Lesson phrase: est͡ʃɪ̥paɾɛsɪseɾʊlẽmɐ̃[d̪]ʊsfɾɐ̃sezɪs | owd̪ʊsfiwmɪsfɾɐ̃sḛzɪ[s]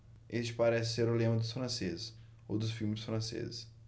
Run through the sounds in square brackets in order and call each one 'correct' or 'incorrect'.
correct, correct

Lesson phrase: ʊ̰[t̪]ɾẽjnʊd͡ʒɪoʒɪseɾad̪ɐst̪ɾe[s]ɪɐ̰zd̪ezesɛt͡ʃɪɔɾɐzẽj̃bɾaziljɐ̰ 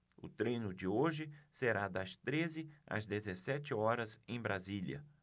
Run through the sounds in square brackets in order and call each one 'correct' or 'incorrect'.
correct, incorrect

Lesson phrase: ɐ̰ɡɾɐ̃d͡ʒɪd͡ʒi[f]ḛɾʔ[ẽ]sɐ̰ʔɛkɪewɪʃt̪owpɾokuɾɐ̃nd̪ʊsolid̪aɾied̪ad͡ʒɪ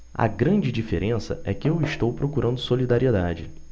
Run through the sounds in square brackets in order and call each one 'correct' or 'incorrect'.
correct, correct

